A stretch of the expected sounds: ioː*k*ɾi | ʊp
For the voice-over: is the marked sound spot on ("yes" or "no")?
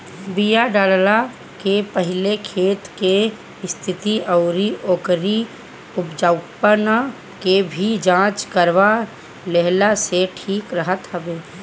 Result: yes